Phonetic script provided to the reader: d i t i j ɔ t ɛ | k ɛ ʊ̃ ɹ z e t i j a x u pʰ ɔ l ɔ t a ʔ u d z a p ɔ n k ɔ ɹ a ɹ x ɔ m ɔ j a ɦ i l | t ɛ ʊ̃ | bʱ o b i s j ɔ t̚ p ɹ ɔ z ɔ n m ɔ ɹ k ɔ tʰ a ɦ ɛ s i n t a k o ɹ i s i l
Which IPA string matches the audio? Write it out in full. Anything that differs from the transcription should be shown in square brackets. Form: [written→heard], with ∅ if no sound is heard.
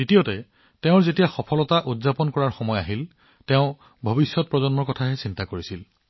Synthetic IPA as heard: d i t i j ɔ t ɛ | [k→t] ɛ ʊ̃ ɹ z e t i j a x [u→ɔ] pʰ ɔ l ɔ t a ʔ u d z a p ɔ n k ɔ ɹ a ɹ x ɔ m ɔ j a ɦ i l | t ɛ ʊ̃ | bʱ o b i s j ɔ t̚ p ɹ ɔ z ɔ n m ɔ ɹ k ɔ tʰ a ɦ ɛ s i n t a k o ɹ i s i l